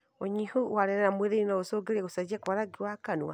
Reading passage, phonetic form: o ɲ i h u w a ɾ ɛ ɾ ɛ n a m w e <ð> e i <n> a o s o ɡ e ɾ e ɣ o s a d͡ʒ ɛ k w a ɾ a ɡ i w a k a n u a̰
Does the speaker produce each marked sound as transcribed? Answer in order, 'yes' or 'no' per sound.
yes, yes

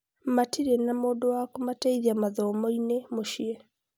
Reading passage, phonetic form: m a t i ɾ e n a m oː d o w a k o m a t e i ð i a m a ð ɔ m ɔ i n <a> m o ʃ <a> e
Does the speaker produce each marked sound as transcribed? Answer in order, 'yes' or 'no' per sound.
no, no

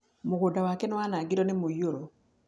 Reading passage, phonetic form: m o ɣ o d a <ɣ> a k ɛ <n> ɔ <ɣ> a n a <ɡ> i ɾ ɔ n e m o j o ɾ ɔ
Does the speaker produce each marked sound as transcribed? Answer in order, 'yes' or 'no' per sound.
no, yes, no, yes

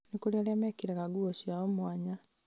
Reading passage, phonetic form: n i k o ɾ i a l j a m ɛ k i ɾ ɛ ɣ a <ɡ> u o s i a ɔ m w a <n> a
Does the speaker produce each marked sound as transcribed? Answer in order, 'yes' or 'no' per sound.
yes, no

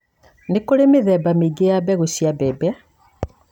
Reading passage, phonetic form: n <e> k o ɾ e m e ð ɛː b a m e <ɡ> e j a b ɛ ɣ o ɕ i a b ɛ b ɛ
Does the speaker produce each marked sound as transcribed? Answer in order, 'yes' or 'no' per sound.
yes, yes

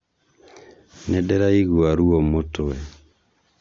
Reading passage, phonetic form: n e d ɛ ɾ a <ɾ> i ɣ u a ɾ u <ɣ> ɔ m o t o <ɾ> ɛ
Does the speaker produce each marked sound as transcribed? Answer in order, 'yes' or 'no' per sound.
no, no, no

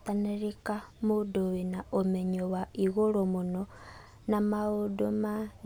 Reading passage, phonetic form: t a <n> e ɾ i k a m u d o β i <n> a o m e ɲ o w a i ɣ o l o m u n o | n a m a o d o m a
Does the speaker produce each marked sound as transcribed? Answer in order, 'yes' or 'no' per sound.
yes, yes

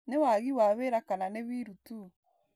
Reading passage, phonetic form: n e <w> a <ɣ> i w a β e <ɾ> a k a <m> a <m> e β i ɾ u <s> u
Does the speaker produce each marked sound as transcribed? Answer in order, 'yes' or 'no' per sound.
yes, yes, yes, no, no, no

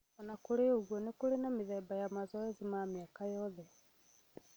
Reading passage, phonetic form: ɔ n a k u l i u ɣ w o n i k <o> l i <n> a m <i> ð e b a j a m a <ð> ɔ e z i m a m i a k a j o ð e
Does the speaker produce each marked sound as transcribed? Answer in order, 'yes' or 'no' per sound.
no, yes, yes, no

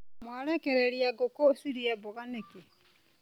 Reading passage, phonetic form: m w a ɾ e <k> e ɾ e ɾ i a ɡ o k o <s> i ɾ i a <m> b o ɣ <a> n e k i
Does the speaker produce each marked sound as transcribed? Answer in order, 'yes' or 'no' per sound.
yes, yes, no, yes

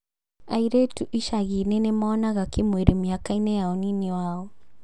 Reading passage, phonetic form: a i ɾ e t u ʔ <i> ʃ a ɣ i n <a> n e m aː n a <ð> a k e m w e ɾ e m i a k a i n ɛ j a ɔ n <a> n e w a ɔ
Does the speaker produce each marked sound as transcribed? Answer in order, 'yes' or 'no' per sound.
yes, no, no, no

